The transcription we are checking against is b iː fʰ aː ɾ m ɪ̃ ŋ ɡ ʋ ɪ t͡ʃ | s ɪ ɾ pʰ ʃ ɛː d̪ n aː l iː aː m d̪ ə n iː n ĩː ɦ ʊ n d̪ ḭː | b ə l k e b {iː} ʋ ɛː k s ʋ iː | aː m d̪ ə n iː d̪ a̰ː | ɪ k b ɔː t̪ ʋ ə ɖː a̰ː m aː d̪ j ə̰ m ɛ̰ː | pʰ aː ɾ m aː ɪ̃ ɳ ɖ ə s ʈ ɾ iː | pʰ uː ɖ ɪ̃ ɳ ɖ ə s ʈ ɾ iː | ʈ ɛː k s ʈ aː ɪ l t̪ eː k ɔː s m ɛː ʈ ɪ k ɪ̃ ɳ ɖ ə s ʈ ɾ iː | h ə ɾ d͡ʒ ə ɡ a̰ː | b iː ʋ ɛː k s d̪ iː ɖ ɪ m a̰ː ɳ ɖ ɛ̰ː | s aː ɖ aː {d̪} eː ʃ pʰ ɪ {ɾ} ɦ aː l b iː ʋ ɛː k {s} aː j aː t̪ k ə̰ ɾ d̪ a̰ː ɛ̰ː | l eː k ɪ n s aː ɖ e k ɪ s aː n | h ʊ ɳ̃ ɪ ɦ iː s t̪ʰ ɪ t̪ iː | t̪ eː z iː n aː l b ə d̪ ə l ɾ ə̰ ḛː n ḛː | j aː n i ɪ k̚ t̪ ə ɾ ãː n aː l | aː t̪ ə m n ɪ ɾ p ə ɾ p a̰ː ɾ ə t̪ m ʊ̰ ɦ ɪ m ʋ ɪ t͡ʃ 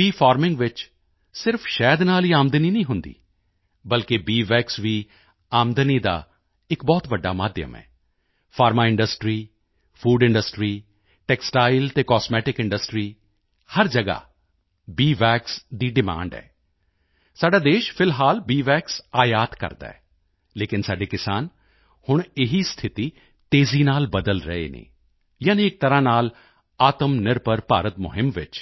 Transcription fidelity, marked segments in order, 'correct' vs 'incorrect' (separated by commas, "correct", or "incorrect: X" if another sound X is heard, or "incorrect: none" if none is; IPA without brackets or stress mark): correct, correct, incorrect: l, correct